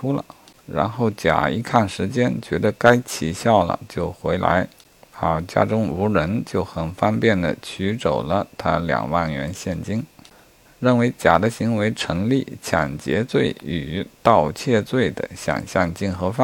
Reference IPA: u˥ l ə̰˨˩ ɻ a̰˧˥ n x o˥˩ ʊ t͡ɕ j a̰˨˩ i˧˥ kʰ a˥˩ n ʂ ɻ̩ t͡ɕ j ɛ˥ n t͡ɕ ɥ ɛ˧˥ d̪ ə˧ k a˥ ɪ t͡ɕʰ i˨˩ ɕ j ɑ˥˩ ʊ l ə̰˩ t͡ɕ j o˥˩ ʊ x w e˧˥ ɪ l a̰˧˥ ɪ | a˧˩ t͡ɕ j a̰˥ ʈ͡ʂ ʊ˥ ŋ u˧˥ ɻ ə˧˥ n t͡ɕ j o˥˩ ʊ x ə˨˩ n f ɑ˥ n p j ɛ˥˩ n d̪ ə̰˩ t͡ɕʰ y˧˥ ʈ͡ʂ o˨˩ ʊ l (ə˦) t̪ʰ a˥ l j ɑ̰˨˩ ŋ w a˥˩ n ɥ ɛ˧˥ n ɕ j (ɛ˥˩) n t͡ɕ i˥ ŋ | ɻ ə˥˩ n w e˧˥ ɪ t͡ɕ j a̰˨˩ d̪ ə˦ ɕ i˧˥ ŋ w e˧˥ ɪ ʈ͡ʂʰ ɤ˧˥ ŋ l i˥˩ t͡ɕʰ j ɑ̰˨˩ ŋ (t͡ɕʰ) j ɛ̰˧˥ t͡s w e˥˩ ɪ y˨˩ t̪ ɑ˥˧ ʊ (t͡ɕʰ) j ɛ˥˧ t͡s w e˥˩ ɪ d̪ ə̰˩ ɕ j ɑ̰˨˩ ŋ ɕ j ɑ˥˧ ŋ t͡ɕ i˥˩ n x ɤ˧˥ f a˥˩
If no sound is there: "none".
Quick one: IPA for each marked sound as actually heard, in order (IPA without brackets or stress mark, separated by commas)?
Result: ə˦, ɛ˥˩, t͡ɕ, t͡ɕʰ